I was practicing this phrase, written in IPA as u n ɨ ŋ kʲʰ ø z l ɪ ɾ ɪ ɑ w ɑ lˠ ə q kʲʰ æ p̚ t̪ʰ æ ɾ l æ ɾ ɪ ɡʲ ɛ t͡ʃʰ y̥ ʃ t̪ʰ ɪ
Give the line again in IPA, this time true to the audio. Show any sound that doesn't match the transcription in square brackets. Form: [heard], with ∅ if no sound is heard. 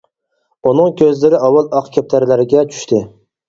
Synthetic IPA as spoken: u n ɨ ŋ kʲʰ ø z l ɪ ɾ ɪ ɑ w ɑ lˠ [ɑ] q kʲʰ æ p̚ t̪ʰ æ ɾ l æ ɾ ɪ ɡʲ ɛ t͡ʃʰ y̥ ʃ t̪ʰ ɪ